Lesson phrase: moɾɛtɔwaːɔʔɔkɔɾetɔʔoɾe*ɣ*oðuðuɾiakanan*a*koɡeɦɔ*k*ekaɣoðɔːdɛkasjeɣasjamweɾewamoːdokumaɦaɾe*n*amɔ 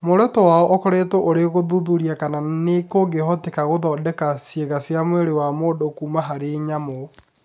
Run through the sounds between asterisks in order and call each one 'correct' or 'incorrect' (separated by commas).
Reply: correct, incorrect, incorrect, incorrect